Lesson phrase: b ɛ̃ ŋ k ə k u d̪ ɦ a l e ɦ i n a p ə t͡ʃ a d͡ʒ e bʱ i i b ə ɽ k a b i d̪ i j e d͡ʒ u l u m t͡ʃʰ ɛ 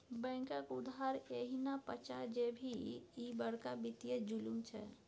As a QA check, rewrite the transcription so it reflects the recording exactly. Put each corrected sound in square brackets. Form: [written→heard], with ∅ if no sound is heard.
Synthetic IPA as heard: b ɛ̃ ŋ k ə k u d̪ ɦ a [l→ɾ] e ɦ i n a p ə t͡ʃ a d͡ʒ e bʱ i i b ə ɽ k a b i [d̪→t̪] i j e d͡ʒ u l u m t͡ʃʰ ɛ